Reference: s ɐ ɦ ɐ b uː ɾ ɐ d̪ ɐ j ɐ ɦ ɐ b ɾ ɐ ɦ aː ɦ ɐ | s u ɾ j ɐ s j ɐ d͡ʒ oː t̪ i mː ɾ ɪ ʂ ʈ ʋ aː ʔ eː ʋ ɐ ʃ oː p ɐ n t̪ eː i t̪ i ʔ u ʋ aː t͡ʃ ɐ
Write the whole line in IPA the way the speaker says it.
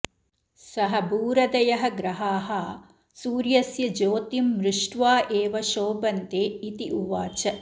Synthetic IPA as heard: s ɐ ɦ ɐ b uː ɾ ɐ d̪ ɐ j ɐ ɦ ɐ ɡ ɾ ɐ ɦ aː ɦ ɐ | s uː ɾ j ɐ s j ɐ d͡ʒ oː t̪ i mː ɾ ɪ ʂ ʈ ʋ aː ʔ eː ʋ ɐ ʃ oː b ɐ n t̪ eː i t̪ i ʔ u ʋ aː t͡ʃ ɐ